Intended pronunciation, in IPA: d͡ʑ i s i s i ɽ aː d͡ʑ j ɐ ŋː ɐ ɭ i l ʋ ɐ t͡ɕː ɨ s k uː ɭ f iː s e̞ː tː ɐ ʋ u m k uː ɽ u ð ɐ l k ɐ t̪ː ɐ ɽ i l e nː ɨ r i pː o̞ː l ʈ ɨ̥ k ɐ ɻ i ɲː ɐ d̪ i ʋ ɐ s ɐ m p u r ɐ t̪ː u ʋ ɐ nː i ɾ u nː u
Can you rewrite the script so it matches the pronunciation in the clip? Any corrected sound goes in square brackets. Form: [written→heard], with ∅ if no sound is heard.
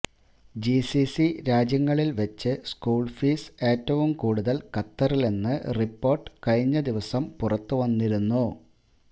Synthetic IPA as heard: d͡ʑ i s i s i [ɽ→ɾ] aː d͡ʑ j ɐ ŋː ɐ ɭ i l ʋ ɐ t͡ɕː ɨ s k uː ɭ f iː s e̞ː tː ɐ ʋ u m k uː ɽ u ð ɐ l k ɐ t̪ː ɐ [ɽ→r] i l e nː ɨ r i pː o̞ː [l→r] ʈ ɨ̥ k ɐ ɻ i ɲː ɐ d̪ i ʋ ɐ s ɐ m p u r ɐ t̪ː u ʋ ɐ nː i ɾ u nː u